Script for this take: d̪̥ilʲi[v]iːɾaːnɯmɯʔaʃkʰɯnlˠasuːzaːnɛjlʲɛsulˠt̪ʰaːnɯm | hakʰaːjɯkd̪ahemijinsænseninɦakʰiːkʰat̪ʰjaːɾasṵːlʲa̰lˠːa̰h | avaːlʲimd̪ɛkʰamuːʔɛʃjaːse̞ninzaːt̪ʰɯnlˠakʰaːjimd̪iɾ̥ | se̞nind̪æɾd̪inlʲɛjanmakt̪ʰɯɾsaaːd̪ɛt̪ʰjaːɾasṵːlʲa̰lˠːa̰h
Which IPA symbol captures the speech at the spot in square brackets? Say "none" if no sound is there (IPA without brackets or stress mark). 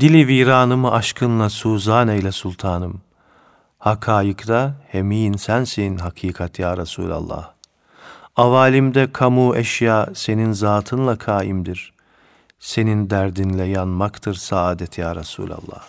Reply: v